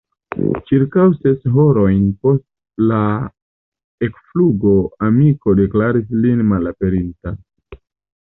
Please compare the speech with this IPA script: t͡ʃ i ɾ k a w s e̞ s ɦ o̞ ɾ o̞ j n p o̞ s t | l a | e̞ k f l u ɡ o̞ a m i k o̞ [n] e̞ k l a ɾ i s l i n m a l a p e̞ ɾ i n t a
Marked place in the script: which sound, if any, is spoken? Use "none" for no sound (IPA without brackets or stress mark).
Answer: d